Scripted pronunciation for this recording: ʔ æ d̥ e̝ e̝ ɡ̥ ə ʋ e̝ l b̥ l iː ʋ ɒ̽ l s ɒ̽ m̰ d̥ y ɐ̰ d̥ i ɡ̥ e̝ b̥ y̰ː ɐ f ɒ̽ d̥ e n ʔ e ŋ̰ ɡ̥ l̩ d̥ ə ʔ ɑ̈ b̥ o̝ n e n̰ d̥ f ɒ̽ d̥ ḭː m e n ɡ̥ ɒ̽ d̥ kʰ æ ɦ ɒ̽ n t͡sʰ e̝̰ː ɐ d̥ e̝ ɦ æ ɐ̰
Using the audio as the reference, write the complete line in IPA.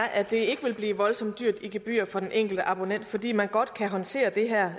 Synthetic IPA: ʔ æ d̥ e̝ e̝ ɡ̥ ə ʋ e̝ l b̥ l iː ʋ ɒ̽ l s ɒ̽ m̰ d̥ y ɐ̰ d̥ i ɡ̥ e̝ b̥ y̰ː ɐ f ɒ̽ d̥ e n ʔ e ŋ̰ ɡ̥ l̩ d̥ ə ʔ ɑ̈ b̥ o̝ n e n̰ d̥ f ɒ̽ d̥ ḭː m æ n ɡ̥ ɒ̽ d̥ kʰ æ ɦ ɒ̽ n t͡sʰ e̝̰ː ɐ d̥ e̝ ɦ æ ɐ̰

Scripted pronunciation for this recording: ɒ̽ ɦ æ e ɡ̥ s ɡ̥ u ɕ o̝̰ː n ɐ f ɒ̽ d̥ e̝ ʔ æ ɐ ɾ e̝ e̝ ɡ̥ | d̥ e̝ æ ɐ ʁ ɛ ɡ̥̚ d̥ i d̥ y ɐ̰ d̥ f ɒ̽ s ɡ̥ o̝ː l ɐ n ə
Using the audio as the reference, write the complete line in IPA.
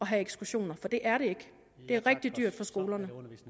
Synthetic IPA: ɒ̽ ɦ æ e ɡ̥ s ɡ̥ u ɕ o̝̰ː n ɐ f ɒ̽ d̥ e̝ ʔ æ ɐ ɾ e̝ e̝ ɡ̥ | d̥ e̝ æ ɐ ʁ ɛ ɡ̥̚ d̥ i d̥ y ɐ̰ d̥ f ɒ̽ s ɡ̥ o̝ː l ɐ n ə

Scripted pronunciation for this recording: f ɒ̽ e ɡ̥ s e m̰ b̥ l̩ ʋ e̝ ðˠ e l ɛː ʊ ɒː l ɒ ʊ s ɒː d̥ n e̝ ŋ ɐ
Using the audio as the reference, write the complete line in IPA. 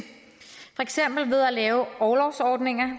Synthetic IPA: f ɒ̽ e ɡ̥ s e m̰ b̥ l̩ ʋ e̝ ðˠ æ l ɛː ʊ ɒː l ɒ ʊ s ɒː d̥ n e̝ ŋ ɐ

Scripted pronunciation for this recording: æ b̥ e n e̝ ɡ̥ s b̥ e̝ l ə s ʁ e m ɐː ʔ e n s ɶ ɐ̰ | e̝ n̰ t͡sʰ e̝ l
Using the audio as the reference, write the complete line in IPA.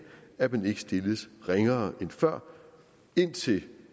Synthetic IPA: æ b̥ e n e̝ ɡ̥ s d̥ e̝ l ə s ʁ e ŋ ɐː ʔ e n f ɶ ɐ̰ | e̝ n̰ t͡sʰ e̝ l

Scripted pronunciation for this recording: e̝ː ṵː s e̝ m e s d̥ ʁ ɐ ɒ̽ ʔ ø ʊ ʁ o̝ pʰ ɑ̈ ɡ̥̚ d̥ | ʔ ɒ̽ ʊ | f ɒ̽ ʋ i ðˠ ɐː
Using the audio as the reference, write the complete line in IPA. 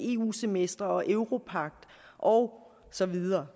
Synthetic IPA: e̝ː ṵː s e̝ m e s d̥ ʁ ɐ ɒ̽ ʔ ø ʊ ʁ o̝ pʰ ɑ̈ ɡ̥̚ d̥ | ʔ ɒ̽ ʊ | s ɒ̽ ʋ i ðˠ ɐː

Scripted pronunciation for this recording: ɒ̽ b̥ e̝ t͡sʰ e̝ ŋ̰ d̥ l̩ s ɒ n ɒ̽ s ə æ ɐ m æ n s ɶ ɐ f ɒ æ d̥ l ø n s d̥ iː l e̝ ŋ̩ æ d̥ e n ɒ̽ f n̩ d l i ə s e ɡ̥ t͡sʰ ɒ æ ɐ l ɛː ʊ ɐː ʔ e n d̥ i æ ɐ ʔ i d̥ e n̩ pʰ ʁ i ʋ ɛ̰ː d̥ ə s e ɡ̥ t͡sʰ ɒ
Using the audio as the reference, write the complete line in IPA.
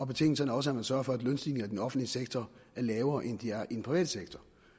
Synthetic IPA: ɒ̽ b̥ e̝ t͡sʰ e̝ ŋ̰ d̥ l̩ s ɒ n ɒ̽ s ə æ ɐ m æ n s ɶ ɐ f ɒ æ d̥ l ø n s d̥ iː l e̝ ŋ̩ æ d̥ e n ɒ̽ f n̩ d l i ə s e ɡ̥ t͡sʰ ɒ æ ɐ l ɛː ʊ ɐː ʔ e n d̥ i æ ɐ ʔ i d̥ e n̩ pʰ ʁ i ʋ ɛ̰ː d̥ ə s e ɡ̥ t͡sʰ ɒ

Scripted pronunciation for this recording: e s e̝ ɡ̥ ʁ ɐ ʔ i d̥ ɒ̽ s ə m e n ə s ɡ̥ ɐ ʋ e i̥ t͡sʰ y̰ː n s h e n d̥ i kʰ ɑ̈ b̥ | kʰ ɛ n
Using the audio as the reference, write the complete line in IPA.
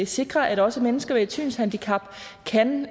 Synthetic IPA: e s e̝ ɡ̥ ʁ ɐ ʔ æ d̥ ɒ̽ s ə m e n ə s ɡ̥ ɐ ʋ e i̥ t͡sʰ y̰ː n s h æ n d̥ i kʰ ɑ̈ b̥ | kʰ æ n

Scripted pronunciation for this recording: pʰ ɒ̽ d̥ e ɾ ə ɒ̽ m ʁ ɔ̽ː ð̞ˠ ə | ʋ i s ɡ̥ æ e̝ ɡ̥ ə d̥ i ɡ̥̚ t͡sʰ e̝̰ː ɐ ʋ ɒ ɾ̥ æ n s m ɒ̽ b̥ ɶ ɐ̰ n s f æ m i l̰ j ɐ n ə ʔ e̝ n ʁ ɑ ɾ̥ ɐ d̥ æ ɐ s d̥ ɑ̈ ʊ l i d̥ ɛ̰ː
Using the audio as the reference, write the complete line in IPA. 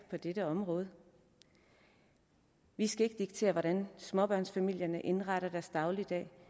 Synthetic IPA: pʰ ɒ̽ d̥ e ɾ ə ɒ̽ m ʁ ɔ̽ː ð̞ˠ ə | ʋ i s ɡ̥ æ e̝ ɡ̥ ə d̥ i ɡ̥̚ t͡sʰ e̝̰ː ɐ ʋ ɒ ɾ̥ æ n s m ɒ̽ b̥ ɶ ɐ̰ n s f æ m i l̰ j ɐ n ə ʔ e̝ n ʁ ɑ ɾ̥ ɐ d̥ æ ɐ s d̥ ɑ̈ ʊ l i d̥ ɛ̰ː

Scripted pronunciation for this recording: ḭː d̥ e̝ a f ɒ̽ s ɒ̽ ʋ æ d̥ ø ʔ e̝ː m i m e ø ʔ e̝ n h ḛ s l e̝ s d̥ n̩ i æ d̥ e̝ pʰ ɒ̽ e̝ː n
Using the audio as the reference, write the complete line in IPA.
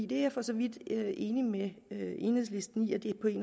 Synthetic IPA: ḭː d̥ e̝ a f ɒ̽ s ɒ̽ ʋ i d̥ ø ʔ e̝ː n i m e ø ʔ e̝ n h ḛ s l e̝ s d̥ n̩ i æ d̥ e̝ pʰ ɒ̽ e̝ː n

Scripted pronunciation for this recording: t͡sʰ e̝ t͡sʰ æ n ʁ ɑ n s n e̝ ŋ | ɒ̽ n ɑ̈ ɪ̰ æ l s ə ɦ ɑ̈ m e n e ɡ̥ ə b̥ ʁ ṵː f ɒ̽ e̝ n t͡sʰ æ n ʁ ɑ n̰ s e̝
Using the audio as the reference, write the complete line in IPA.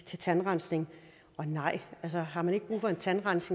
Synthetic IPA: t͡sʰ e̝ t͡sʰ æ n ʁ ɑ n s n e̝ ŋ | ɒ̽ n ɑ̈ ɪ̰ æ l s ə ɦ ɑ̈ m æ n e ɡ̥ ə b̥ ʁ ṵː f ɒ̽ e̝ n t͡sʰ æ n ʁ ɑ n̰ s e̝

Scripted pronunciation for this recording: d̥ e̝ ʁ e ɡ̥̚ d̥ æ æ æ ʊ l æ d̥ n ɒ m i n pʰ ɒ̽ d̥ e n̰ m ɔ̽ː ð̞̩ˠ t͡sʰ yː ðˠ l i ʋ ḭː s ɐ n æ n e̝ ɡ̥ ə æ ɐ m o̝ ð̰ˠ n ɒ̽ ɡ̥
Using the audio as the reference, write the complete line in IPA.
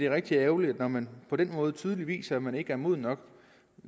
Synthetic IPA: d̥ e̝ ʁ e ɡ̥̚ d̥ i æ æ ʊ l i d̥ n ɒ m æ n pʰ ɒ̽ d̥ e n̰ m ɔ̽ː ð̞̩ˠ t͡sʰ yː ðˠ l i ʋ ḭː s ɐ m æ n e̝ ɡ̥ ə æ ɐ m o̝ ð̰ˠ n ɒ̽ ɡ̥

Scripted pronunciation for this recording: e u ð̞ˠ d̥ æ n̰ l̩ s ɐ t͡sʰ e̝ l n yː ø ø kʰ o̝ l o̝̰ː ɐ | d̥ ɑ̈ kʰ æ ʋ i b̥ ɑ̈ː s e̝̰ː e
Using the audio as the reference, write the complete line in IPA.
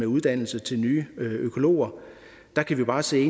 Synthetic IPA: e u ð̞ˠ d̥ æ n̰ l̩ s ə t͡sʰ e̝ l n yː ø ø kʰ o̝ l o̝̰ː ɐ | d̥ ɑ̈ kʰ æ ʋ i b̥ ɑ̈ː s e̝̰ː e

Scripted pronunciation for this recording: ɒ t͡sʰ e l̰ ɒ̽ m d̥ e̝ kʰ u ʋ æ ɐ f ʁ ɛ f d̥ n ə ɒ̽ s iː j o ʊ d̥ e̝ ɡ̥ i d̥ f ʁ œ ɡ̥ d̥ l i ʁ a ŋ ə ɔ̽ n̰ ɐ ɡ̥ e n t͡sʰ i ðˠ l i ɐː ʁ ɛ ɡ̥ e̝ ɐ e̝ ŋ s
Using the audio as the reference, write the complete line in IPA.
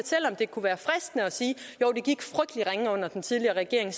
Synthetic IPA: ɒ t͡sʰ e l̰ ɒ̽ m d̥ e̝ kʰ u ʋ æː ɐ f ʁ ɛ s d̥ n ə ɒ̽ s iː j o ʊ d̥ e̝ ɡ̥ i ɡ̥ f ʁ œ ɡ̥ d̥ l i ʁ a ŋ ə ɔ̽ n̰ ɐ d̥ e n t͡sʰ i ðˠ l i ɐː ʁ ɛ ɡ̥ e̝ ɐ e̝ ŋ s

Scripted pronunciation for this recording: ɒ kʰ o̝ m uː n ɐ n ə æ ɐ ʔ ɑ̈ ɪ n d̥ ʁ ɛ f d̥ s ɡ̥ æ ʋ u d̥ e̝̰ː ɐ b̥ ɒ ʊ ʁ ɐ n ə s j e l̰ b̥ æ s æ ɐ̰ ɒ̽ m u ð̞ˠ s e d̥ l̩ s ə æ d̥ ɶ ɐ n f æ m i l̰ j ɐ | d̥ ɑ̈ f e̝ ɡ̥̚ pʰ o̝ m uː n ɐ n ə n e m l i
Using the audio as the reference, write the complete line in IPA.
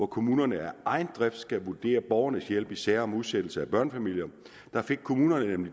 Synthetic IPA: ɒ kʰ o̝ m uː n ɐ n ə æ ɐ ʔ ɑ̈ ɪ n d̥ ʁ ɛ f d̥ s ɡ̥ æ ʋ u d̥ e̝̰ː ɐ b̥ ɒ ʊ ɐ n ə s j e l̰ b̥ i s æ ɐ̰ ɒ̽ m u ð̞ˠ s e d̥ l̩ s ə æ b̥ ɶ ɐ n f æ m i l̰ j ɐ | d̥ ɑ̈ f e̝ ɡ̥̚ kʰ o̝ m uː n ɐ n ə n e m l i

